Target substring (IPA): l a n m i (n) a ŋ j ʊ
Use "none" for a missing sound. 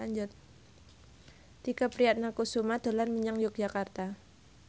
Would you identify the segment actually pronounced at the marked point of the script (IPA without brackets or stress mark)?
ɲ